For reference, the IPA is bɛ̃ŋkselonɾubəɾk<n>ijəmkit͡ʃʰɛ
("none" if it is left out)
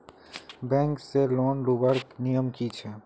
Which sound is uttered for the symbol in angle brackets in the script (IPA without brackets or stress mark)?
n